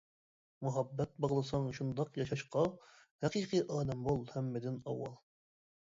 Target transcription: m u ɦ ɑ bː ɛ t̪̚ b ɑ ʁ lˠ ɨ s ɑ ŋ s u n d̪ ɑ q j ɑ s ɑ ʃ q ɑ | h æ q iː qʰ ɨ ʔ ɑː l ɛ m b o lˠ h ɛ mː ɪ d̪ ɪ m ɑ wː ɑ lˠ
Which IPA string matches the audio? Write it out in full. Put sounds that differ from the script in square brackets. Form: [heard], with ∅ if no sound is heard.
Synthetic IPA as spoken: m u ɦ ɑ bː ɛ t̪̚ b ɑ ʁ lˠ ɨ s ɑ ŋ [ʃ] u n d̪ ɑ q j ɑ [ʃ] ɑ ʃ q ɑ | h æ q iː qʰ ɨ ʔ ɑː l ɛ m b o lˠ h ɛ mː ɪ d̪ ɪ [n] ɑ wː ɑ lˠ